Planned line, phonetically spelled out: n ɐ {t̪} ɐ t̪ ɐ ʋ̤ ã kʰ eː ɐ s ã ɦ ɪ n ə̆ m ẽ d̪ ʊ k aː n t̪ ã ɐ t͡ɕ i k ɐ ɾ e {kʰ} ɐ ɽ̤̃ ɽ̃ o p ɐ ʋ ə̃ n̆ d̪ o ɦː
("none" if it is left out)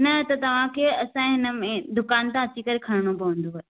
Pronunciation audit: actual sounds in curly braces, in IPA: t̪, kʰ

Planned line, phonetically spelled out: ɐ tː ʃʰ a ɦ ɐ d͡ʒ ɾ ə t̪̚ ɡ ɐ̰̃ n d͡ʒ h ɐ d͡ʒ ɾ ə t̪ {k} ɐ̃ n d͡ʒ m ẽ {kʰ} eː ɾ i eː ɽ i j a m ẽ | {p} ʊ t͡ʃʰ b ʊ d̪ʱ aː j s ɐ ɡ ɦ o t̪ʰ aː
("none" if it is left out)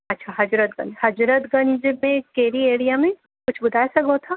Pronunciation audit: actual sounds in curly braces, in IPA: ɡ, k, k

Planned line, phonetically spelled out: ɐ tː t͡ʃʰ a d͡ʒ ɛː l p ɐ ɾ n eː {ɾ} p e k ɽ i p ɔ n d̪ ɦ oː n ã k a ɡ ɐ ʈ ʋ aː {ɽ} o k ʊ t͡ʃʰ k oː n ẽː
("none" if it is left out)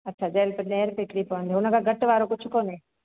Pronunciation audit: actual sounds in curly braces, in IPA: ɾ, ɾ

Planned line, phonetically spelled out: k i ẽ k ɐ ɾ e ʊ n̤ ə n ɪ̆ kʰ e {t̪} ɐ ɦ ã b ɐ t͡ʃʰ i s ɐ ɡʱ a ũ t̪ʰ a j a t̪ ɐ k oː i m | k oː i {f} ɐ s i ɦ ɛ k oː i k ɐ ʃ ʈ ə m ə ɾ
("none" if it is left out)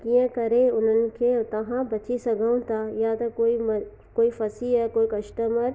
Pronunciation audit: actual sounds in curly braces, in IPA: t̪, f

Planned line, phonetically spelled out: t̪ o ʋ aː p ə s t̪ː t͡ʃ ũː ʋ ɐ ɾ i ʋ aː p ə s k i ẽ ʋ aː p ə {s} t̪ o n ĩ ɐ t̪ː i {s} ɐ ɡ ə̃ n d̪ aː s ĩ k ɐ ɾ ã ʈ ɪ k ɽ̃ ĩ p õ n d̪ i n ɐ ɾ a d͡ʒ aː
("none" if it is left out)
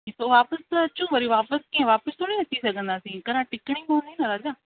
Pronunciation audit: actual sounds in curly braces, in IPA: s, s

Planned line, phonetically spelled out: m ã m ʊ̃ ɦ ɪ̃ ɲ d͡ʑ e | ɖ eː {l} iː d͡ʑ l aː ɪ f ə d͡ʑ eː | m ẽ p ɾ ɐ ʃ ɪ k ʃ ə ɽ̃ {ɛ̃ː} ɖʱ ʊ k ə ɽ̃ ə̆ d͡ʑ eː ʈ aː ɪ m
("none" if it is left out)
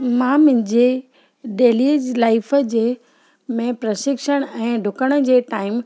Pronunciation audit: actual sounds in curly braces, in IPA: l, ɛ̃ː

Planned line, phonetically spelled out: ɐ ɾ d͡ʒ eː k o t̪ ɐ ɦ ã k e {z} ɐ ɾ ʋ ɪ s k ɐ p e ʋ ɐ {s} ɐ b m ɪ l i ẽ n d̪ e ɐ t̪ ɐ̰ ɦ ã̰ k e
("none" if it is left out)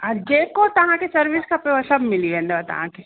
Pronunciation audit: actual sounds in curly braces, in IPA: s, s

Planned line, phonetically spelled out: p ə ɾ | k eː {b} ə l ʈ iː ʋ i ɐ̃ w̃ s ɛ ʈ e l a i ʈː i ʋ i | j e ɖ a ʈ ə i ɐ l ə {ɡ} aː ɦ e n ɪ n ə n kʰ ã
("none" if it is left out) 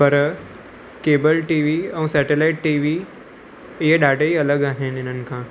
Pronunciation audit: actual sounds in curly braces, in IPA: b, ɡ

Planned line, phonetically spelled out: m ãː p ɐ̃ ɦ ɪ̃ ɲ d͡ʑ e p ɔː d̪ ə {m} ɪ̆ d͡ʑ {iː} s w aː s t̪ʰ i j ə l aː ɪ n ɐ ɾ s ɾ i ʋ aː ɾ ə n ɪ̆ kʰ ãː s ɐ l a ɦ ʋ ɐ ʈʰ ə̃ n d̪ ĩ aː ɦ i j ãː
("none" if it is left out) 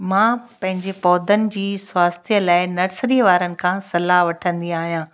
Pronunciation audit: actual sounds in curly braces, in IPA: n, iː

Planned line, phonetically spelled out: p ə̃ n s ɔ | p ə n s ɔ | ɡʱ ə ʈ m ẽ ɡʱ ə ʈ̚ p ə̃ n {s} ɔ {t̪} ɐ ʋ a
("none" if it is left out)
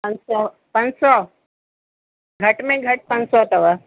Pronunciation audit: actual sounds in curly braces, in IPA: s, t̪

